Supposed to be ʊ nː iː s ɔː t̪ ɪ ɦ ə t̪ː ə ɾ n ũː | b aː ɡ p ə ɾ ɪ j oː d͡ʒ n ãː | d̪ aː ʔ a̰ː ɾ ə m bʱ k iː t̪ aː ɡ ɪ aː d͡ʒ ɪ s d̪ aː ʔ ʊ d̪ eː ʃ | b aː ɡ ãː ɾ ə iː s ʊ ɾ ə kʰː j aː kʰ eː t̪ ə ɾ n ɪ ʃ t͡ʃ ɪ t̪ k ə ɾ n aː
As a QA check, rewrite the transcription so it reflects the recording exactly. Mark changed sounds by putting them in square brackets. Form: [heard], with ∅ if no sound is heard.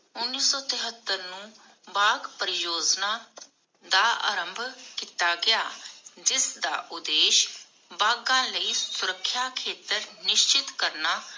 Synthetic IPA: ʊ nː iː s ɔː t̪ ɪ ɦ ə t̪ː ə ɾ n ũː | b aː ɡ p ə ɾ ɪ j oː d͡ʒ n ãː | d̪ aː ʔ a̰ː ɾ ə m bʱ k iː t̪ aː ɡ ɪ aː d͡ʒ ɪ s d̪ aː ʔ ʊ d̪ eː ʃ | b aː ɡ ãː [l] ə iː s ʊ ɾ ə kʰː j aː kʰ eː t̪ ə ɾ n ɪ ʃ t͡ʃ ɪ t̪ k ə ɾ n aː

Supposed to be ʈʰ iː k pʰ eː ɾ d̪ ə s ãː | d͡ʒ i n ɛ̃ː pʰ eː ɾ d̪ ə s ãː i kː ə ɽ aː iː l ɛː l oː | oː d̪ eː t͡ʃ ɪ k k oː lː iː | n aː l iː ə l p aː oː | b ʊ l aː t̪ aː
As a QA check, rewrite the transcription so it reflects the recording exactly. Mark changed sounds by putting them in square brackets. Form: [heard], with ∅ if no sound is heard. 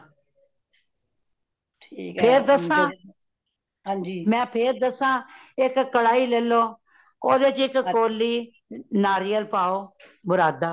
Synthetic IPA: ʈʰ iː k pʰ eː ɾ d̪ ə s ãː | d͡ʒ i [m] ɛ̃ː pʰ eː ɾ d̪ ə s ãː [ɪ] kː ə ɽ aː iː l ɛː l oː | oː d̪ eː t͡ʃ ɪ k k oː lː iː | n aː [ɾ] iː ə l p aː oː | b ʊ [ɾ] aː [d̪] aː

